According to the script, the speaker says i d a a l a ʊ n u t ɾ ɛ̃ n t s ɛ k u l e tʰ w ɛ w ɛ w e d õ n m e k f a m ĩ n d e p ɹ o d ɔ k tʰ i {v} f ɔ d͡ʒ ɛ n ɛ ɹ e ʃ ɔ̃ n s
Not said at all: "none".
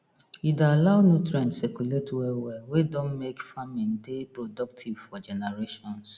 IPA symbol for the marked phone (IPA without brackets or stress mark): v